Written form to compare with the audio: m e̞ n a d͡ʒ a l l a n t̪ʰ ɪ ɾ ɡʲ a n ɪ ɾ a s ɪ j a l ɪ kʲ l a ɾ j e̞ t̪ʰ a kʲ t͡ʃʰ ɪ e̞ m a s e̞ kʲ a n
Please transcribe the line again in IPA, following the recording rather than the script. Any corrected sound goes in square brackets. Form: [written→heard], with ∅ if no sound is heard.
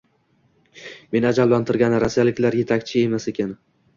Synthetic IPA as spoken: m e̞ n a d͡ʒ a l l a n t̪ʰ ɪ ɾ ɡʲ a n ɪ ɾ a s [ɪ→i] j a l ɪ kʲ l a ɾ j e̞ t̪ʰ a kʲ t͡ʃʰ ɪ e̞ m a s e̞ kʲ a n